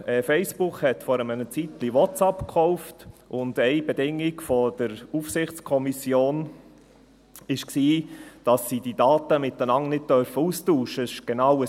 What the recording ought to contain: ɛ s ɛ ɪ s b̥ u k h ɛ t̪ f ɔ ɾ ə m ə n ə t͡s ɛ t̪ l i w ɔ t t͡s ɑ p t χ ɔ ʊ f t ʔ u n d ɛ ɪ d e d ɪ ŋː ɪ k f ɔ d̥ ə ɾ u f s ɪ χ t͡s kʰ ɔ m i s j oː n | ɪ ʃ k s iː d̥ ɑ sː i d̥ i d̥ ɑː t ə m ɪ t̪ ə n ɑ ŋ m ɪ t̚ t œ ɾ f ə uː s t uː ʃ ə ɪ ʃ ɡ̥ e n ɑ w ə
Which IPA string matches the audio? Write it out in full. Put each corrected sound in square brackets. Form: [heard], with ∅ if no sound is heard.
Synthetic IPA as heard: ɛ [f] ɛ ɪ s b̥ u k h ɛ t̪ f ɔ ɾ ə m ə n ə t͡s [i] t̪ l i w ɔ t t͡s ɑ p [k] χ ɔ ʊ f t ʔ [ʊ] n d ɛ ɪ [b] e d ɪ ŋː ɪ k f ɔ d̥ ə ɾ u f s ɪ χ t͡s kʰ ɔ m i s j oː n | ɪ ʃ k s iː d̥ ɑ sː i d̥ i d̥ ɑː t ə m ɪ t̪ ə n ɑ ŋ [n] ɪ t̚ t œ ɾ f ə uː s t uː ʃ ə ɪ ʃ ɡ̥ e n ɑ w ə